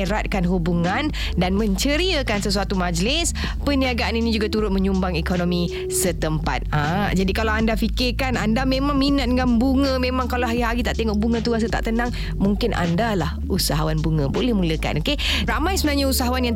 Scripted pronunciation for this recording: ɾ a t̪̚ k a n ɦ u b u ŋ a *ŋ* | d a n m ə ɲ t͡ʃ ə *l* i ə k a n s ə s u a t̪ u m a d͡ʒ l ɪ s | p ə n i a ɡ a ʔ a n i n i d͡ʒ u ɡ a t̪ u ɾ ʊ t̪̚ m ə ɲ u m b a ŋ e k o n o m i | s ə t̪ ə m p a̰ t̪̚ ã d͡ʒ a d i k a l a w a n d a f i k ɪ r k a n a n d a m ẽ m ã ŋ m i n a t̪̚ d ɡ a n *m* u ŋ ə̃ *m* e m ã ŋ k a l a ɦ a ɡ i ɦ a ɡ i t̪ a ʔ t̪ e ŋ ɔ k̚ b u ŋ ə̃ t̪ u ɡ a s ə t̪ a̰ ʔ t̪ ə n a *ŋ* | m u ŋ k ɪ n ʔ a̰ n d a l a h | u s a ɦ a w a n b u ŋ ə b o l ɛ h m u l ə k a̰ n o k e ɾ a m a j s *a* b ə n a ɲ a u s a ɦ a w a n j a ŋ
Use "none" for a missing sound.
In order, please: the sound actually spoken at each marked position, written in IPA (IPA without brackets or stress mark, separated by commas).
n, ɾ, b, m, ŋ, ə